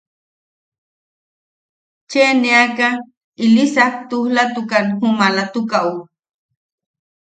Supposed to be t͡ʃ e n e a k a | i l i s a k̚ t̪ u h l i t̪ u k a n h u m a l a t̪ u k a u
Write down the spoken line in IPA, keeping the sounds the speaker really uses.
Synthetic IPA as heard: t͡ʃ e n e a k a | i l i s a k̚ t̪ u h l a t̪ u k a n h u m a l a t̪ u k a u